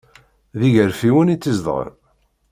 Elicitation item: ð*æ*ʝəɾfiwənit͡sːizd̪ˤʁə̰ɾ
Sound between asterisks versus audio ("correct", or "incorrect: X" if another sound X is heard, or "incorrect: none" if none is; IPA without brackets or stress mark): incorrect: i